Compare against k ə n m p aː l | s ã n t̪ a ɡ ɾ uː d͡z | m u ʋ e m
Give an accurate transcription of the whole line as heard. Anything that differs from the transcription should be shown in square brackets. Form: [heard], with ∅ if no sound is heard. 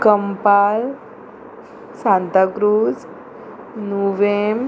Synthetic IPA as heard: k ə [∅] m p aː l | s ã n t̪ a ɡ ɾ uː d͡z | [n] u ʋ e m